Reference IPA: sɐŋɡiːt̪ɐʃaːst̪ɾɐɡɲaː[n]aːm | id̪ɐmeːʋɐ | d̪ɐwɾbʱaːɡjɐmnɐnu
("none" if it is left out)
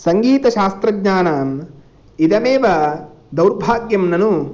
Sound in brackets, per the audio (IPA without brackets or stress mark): n